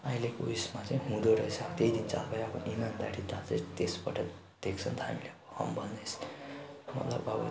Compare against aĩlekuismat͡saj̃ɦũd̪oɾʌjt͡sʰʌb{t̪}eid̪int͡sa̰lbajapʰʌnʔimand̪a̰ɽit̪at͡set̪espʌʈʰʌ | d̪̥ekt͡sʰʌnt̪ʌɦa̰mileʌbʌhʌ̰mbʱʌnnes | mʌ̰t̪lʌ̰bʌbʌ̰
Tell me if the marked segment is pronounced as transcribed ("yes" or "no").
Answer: yes